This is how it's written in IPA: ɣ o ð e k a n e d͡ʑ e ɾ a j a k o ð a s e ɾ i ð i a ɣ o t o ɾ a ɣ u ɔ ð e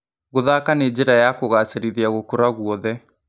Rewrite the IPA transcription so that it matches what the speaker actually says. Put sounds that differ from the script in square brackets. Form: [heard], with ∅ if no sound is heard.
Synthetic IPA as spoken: ɣ o ð [a] k a n e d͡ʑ e ɾ a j a k o [ɣ] a s e ɾ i ð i a ɣ o [k] o ɾ a ɣ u ɔ ð [ɛ]